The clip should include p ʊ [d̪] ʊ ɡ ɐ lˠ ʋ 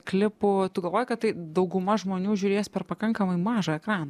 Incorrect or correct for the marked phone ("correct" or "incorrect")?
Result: incorrect